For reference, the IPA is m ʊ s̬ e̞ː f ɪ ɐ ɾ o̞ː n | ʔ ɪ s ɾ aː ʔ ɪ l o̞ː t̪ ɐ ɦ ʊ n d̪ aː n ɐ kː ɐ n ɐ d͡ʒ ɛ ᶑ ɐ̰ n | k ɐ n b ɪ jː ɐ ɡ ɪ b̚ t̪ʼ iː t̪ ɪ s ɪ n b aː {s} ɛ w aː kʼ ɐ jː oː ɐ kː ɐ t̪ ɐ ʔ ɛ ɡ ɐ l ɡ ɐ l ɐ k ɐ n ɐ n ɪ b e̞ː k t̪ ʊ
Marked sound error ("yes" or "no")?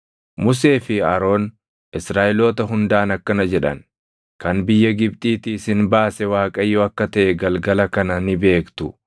no